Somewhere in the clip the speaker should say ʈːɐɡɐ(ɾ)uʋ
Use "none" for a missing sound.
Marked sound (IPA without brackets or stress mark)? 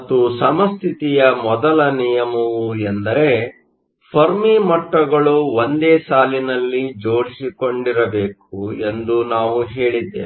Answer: ɭ